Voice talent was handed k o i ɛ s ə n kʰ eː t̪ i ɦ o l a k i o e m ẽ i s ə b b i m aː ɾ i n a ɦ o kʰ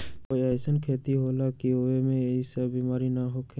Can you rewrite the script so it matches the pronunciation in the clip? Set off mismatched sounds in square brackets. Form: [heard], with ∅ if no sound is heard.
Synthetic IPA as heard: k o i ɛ s ə n kʰ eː t̪ i ɦ o l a k i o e m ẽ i s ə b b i m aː ɾ i n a ɦ o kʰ

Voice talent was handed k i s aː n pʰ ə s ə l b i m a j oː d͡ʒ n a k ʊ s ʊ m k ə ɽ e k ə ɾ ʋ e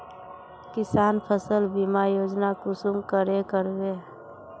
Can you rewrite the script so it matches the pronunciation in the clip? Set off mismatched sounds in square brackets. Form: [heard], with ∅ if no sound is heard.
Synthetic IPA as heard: k [ɪ] s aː n pʰ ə s ə l b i m a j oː d͡ʒ n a k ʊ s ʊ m k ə [ɾ] e k ə ɾ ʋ e

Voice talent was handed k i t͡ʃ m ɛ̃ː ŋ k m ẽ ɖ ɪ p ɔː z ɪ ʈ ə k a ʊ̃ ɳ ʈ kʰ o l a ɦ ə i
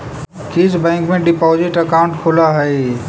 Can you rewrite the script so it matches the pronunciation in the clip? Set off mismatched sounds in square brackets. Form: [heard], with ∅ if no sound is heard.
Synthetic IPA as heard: k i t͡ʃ [b] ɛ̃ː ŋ k m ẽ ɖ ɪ p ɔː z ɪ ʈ ə k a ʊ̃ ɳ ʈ kʰ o l a ɦ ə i

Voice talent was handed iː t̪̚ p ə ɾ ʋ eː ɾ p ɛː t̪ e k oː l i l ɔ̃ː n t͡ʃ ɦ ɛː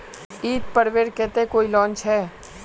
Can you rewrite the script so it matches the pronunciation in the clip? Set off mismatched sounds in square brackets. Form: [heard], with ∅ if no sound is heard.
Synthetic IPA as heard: iː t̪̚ p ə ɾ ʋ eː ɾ [k] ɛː t̪ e k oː [∅] i l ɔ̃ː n t͡ʃ ɦ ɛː

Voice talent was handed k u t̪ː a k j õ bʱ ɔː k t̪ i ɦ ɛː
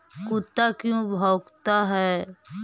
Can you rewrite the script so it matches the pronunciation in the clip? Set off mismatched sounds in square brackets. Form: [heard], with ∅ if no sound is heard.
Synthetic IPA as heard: k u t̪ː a k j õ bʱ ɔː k t̪ [a] ɦ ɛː

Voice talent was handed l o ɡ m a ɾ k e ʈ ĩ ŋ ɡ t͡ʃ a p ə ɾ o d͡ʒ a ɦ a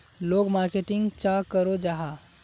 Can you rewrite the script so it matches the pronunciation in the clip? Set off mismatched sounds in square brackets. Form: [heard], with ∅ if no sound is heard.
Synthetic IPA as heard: l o ɡ m a ɾ k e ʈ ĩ ŋ ɡ t͡ʃ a [k] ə ɾ o d͡ʒ a ɦ a

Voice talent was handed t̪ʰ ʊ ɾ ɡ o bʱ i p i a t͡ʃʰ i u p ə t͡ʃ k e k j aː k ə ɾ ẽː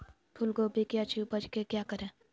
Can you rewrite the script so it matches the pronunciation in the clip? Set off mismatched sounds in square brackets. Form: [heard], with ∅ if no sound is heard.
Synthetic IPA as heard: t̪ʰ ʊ [l] ɡ o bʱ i [k] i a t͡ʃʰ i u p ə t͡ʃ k e k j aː k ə ɾ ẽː

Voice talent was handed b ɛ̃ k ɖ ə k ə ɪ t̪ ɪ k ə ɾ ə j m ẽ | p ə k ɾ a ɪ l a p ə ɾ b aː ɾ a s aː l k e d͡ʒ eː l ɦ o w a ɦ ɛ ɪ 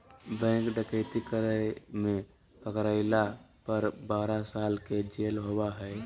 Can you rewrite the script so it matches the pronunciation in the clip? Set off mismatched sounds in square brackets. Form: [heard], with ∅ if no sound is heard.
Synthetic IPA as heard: b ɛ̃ k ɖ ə k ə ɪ t̪ [i] k ə ɾ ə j m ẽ | p ə k ɾ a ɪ l a p ə ɾ b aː ɾ a s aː l k e d͡ʒ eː l ɦ o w a ɦ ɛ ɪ

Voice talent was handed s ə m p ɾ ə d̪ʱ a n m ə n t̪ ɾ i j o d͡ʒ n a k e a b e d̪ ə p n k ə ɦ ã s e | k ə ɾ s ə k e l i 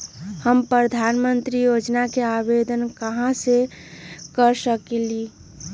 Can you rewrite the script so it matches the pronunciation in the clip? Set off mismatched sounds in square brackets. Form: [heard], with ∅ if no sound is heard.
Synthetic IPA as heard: [h] ə m p ɾ ə d̪ʱ a n m ə n t̪ ɾ i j o d͡ʒ n a k e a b e d̪ ə [∅] n k ə ɦ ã s e | k ə ɾ s ə k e l i

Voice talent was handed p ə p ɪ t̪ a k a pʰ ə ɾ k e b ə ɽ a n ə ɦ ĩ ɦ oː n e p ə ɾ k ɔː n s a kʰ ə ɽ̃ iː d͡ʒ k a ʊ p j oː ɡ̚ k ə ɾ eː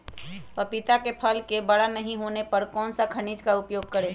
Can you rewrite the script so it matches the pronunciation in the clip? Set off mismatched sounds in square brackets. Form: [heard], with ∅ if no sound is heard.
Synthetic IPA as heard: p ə p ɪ t̪ a k [e] pʰ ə [l] k e b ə ɽ a n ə ɦ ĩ ɦ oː n e p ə ɾ k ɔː n s a kʰ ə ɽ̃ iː d͡ʒ k a ʊ p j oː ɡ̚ k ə ɾ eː

